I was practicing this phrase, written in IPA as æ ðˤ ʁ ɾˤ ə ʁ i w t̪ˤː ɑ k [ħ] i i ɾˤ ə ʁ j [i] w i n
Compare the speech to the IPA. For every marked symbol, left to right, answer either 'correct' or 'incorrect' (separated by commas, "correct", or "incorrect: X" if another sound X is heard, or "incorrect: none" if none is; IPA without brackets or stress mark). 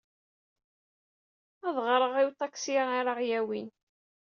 incorrect: s, incorrect: æ